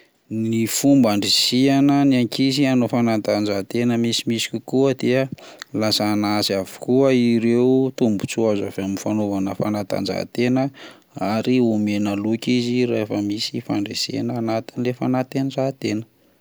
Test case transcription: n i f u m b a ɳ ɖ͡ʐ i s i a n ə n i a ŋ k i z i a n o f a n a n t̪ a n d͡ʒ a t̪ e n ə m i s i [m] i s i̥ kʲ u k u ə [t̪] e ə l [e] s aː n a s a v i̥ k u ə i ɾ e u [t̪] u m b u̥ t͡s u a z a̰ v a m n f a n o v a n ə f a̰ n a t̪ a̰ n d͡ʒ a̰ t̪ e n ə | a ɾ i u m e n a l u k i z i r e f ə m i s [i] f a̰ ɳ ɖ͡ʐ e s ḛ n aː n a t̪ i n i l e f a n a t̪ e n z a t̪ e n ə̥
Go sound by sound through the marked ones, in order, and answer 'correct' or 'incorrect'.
correct, incorrect: d̪, incorrect: a, correct, correct

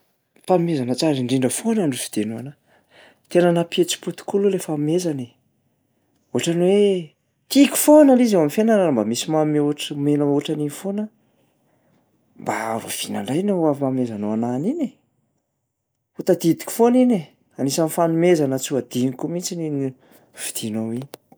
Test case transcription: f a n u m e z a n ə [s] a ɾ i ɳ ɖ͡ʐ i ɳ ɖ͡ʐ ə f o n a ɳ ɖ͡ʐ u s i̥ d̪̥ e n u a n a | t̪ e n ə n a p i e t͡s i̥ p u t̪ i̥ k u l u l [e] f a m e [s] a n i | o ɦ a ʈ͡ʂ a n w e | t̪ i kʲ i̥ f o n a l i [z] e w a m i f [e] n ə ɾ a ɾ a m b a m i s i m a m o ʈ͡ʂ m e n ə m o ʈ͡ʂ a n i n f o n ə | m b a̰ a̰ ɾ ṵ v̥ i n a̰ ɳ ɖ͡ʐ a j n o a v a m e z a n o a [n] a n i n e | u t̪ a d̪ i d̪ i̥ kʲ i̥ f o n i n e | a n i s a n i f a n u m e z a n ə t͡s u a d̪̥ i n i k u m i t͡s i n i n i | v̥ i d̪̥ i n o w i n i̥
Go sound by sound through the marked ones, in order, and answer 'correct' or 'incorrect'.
incorrect: t͡s, correct, incorrect: z, correct, correct, correct

